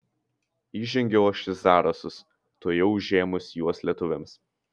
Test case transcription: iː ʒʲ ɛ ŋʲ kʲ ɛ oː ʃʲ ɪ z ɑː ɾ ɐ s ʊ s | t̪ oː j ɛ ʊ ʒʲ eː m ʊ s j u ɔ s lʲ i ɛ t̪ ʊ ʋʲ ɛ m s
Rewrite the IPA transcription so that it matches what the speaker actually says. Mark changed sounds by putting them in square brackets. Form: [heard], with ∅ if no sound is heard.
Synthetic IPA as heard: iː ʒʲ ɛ ŋʲ [ɡʲ] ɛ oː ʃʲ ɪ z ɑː ɾ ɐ s ʊ s | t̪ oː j ɛ ʊ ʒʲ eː m ʊ s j u ɔ s lʲ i ɛ t̪ ʊ ʋʲ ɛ m s